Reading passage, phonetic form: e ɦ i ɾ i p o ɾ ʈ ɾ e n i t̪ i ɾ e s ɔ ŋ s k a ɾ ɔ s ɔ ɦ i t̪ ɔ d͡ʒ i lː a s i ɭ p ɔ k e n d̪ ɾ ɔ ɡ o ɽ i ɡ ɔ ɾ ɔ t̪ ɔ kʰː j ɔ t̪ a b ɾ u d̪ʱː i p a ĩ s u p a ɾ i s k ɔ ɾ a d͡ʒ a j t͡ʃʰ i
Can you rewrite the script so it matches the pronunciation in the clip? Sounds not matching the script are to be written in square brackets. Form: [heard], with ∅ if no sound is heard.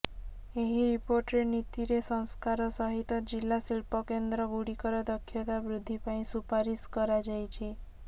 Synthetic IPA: e ɦ i ɾ i p o ɾ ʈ ɾ e n i t̪ i ɾ e s ɔ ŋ s k a ɾ ɔ s ɔ ɦ i t̪ ɔ d͡ʒ i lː a s i ɭ p ɔ k e n d̪ ɾ ɔ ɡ [u] ɽ i [k] ɔ ɾ ɔ [d̪] ɔ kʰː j ɔ t̪ a b ɾ u d̪ʱː i p a ĩ s u p a ɾ i s k ɔ ɾ a d͡ʒ a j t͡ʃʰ i